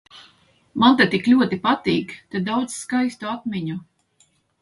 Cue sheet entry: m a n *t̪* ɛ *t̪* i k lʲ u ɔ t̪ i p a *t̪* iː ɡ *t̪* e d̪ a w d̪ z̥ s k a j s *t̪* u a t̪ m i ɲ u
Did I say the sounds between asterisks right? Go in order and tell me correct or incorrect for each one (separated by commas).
correct, correct, correct, correct, correct